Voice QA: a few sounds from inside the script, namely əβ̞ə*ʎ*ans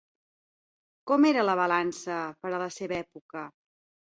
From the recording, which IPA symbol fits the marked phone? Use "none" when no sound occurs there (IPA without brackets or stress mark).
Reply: l